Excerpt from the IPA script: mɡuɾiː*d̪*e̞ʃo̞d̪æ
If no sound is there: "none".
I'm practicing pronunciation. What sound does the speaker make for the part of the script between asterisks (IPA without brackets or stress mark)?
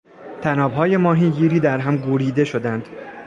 d̪